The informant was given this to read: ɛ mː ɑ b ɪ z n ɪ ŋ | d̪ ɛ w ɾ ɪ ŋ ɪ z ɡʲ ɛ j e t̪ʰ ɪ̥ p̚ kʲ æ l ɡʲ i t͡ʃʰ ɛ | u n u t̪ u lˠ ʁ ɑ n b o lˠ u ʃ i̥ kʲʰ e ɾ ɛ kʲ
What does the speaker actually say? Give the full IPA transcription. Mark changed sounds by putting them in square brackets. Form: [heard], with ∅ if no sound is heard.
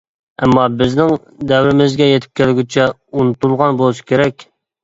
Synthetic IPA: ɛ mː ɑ b ɪ z n ɪ ŋ | d̪ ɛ w ɾ ɪ [m] ɪ z ɡʲ ɛ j e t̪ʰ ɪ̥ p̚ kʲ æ l ɡʲ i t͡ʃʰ ɛ | u n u t̪ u lˠ ʁ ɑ n b o lˠ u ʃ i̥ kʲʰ e ɾ ɛ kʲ